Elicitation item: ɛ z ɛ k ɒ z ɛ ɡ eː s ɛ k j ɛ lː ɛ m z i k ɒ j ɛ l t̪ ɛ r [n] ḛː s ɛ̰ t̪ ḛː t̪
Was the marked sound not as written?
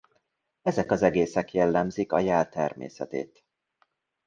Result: yes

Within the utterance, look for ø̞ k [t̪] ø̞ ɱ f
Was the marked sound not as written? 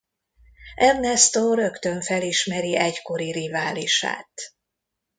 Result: no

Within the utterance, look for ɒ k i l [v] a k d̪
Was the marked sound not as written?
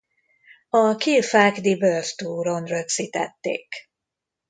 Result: yes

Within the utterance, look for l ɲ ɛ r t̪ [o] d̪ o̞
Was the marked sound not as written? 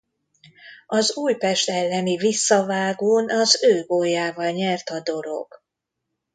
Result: yes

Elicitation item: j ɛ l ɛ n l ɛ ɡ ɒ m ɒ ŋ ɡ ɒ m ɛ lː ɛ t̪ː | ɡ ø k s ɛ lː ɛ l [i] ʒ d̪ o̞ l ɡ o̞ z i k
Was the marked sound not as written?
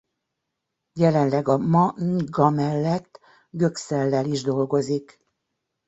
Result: no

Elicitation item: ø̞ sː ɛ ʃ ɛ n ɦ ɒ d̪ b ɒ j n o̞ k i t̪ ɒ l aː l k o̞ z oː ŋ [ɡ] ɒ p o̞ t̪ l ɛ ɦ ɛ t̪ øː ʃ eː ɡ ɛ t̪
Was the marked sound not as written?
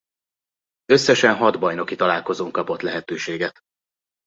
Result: yes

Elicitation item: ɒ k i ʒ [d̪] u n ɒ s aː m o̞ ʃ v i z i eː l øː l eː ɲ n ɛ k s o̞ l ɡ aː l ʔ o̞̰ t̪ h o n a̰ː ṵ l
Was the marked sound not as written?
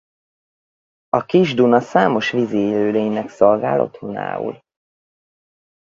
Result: no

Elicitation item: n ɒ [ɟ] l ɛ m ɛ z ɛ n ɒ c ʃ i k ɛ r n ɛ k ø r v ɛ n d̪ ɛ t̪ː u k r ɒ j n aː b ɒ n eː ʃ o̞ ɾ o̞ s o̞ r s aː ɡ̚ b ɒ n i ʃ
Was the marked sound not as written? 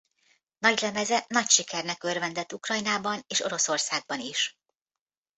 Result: no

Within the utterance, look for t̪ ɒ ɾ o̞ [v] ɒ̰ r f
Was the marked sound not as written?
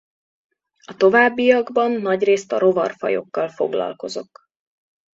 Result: no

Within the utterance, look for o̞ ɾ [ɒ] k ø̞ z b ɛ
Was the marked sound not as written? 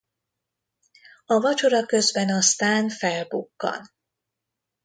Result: no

